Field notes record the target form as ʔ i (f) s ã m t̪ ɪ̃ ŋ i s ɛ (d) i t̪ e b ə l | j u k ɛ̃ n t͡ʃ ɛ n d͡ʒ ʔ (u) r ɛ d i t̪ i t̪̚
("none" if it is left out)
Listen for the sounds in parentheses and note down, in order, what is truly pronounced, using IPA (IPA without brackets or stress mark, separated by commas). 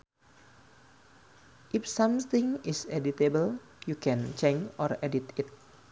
f, d, ɔ